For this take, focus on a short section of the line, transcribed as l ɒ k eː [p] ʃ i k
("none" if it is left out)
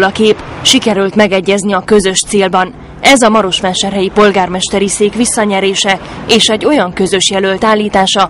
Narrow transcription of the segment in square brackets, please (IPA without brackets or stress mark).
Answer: p